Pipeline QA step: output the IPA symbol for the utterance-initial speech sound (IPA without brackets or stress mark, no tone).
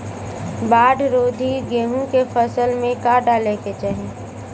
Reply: b